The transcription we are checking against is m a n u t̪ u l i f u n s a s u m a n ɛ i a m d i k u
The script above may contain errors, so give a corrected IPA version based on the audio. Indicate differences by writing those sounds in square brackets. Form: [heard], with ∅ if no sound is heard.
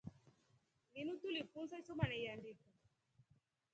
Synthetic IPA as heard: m [i] n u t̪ u l i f u n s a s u m a n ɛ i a [n] d i k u